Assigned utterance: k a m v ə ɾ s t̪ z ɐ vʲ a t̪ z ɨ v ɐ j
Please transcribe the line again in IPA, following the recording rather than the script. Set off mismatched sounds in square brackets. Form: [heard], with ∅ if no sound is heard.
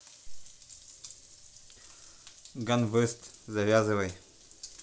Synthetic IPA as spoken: [ɡ] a [n] v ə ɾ s t̪ z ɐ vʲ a [∅] z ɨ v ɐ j